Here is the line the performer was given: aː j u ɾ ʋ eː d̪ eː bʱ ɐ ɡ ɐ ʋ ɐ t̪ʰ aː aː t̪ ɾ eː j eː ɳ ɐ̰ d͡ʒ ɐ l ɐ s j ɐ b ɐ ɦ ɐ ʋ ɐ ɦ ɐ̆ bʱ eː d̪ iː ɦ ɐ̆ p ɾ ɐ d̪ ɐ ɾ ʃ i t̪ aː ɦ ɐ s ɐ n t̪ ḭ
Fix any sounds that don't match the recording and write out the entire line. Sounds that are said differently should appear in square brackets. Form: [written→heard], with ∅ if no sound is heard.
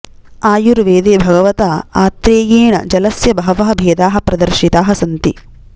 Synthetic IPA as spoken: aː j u ɾ ʋ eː d̪ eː bʱ ɐ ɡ ɐ ʋ ɐ [t̪ʰ→t̪] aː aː t̪ ɾ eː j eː ɳ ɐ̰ d͡ʒ ɐ l ɐ s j ɐ b ɐ ɦ ɐ ʋ ɐ ɦ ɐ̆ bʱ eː d̪ [iː→aː] ɦ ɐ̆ p ɾ ɐ d̪ ɐ ɾ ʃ i t̪ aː ɦ ɐ s ɐ n t̪ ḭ

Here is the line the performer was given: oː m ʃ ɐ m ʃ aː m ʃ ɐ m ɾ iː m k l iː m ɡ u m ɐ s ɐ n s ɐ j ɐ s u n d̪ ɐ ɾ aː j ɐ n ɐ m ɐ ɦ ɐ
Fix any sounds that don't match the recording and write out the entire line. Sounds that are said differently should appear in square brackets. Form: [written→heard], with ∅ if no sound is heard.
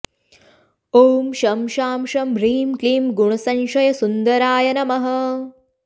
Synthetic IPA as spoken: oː m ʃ ɐ m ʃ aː m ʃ ɐ m ɾ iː m k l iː m ɡ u [m→ɳ] ɐ s ɐ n [s→ʃ] ɐ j ɐ s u n d̪ ɐ ɾ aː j ɐ n ɐ m ɐ ɦ ɐ

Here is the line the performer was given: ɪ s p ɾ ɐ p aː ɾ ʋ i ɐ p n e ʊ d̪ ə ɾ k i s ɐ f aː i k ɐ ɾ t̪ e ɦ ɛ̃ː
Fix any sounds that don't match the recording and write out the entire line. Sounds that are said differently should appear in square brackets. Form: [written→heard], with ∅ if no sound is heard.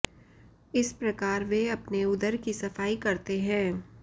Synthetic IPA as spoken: ɪ s p ɾ ɐ [p→k] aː ɾ ʋ [i→e] ɐ p n e ʊ d̪ ə ɾ k i s ɐ f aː i k ɐ ɾ t̪ e ɦ ɛ̃ː

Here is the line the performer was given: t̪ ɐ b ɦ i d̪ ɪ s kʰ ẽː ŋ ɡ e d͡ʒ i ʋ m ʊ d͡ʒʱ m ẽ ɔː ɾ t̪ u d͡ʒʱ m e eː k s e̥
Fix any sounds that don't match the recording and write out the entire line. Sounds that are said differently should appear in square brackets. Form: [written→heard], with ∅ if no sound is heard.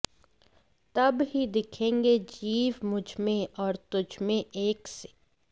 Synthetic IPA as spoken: t̪ ɐ b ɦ i d̪ ɪ [s→∅] kʰ ẽː ŋ ɡ e d͡ʒ [i→iː] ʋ m ʊ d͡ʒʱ m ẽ ɔː ɾ t̪ [u→ʊ] d͡ʒʱ m [e→ẽ] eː k s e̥

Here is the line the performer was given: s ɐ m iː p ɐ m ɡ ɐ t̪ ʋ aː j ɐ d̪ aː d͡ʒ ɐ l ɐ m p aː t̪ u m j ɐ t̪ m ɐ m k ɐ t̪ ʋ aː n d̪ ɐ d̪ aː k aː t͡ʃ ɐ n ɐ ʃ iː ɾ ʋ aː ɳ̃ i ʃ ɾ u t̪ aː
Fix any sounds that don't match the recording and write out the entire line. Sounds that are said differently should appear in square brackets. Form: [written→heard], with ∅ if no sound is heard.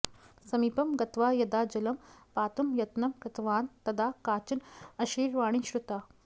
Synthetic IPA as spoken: s ɐ m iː p ɐ m ɡ ɐ t̪ ʋ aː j ɐ d̪ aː d͡ʒ ɐ l ɐ m p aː t̪ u m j ɐ t̪ [m→n] ɐ m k ɐ t̪ ʋ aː n [d̪→t̪] ɐ d̪ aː k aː t͡ʃ ɐ n ɐ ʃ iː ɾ ʋ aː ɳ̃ i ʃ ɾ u t̪ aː

